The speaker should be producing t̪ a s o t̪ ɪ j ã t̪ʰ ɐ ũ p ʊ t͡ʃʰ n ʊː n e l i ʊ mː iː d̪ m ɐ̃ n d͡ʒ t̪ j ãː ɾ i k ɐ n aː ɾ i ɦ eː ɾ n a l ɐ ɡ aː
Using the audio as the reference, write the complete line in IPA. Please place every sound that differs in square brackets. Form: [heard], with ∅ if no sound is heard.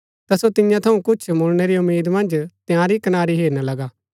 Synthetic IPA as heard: t̪ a s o t̪ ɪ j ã t̪ʰ ɐ ũ [k] ʊ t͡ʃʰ [m] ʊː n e [ɾ] i ʊ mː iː d̪ m ɐ̃ n d͡ʒ t̪ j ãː ɾ i k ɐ n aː ɾ i ɦ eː ɾ n a l ɐ ɡ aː